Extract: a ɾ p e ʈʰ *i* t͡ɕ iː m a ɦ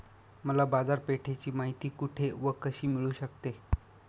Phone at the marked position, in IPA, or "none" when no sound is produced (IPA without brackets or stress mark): e